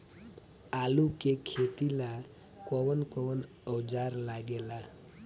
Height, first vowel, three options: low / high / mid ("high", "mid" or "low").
low